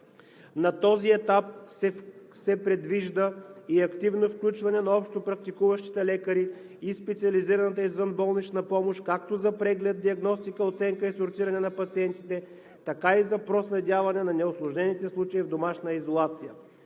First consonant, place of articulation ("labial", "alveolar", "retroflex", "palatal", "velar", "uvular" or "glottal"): alveolar